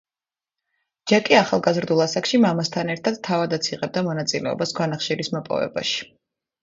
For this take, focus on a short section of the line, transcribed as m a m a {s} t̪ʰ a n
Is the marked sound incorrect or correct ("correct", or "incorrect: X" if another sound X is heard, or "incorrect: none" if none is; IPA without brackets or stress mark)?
correct